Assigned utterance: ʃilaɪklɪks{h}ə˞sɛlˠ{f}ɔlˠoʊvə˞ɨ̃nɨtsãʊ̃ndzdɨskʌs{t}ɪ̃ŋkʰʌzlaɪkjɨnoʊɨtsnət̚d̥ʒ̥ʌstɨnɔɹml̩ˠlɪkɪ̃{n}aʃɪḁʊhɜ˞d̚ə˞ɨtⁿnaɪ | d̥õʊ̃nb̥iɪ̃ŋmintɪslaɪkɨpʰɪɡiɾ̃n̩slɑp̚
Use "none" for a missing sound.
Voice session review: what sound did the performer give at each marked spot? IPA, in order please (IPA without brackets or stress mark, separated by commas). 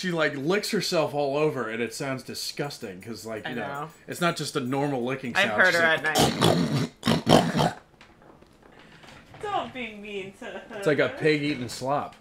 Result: h, f, t, ŋ